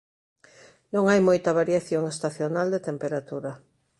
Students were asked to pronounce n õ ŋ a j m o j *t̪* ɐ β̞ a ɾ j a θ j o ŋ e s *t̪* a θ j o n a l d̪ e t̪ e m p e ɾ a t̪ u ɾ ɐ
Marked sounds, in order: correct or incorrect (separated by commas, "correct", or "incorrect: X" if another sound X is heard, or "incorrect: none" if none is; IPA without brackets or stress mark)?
correct, correct